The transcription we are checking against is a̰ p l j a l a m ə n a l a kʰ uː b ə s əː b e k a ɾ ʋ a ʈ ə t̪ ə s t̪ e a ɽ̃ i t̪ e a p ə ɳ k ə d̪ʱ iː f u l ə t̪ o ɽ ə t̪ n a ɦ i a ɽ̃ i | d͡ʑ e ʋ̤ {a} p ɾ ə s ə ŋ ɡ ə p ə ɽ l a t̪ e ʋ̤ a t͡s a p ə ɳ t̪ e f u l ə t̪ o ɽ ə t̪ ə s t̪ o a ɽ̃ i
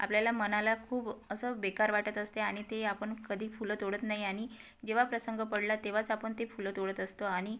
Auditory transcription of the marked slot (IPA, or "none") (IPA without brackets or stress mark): a